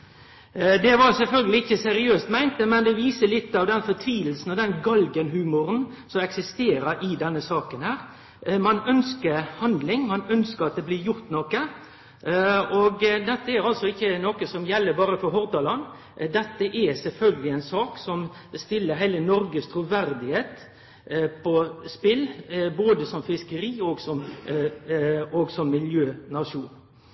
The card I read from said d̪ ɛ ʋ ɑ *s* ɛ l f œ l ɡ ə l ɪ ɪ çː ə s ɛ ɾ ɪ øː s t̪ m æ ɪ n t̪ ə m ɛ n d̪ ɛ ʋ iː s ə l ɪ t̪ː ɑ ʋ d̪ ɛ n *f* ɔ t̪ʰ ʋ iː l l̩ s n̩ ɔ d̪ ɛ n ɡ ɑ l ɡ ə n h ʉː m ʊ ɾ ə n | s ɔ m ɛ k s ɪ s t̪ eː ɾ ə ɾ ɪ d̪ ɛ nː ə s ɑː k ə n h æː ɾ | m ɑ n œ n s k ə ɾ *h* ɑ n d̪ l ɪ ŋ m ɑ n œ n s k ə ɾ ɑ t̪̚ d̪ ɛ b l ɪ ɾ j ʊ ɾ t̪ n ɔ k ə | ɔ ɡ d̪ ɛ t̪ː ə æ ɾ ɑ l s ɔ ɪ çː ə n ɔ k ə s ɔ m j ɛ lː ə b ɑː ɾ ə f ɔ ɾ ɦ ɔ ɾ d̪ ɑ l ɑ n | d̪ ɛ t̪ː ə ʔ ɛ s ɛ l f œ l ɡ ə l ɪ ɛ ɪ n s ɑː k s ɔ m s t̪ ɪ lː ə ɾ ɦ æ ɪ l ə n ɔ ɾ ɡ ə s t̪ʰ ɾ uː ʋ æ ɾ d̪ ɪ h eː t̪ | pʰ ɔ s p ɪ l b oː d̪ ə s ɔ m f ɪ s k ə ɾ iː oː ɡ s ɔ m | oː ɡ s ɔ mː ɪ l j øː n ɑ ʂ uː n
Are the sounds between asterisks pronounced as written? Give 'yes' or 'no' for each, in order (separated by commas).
yes, yes, yes